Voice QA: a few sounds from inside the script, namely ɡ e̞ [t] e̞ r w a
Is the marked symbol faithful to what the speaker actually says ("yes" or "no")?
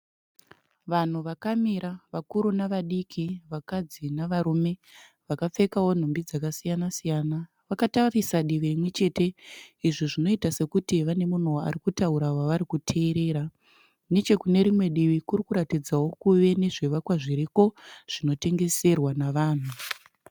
no